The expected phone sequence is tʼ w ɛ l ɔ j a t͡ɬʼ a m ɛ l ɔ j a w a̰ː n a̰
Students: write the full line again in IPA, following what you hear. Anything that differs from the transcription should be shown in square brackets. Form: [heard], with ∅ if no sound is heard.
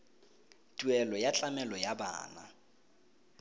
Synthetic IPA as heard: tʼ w ɛ l ɔ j a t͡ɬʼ a m ɛ l ɔ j a [b] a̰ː n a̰